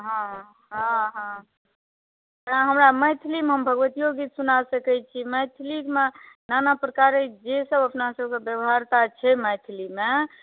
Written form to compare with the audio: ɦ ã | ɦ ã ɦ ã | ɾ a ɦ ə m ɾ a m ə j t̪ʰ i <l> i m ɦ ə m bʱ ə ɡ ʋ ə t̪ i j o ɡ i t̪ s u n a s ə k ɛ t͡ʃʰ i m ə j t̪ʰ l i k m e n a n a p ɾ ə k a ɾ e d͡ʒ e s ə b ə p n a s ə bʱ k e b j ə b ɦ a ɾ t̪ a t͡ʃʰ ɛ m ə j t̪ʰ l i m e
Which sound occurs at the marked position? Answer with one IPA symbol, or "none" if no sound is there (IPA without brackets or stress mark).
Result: l